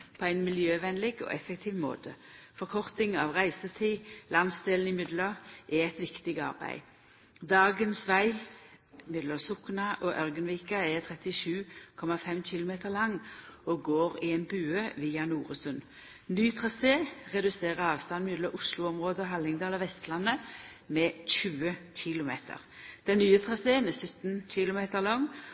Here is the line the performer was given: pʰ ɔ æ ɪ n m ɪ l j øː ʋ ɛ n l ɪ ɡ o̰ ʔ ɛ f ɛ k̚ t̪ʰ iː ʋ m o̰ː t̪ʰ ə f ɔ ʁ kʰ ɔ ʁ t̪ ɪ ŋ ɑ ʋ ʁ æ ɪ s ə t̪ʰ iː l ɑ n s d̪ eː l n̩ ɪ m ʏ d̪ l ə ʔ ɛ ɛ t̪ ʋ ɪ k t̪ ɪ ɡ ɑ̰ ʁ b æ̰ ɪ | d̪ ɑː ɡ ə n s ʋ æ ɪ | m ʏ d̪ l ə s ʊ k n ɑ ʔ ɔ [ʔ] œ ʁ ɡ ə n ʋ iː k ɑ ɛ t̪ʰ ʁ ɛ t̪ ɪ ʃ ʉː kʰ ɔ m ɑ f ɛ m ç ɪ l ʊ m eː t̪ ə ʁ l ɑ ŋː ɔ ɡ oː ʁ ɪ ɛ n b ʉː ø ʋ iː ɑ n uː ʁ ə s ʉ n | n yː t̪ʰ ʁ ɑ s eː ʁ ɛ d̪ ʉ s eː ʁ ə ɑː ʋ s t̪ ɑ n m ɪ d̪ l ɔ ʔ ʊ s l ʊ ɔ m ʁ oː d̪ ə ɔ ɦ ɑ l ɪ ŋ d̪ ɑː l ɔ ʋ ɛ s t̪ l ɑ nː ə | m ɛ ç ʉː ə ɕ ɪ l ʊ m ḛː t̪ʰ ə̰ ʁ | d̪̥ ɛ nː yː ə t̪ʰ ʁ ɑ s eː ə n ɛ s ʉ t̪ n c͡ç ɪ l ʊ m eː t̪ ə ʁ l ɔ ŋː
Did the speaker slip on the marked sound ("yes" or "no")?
no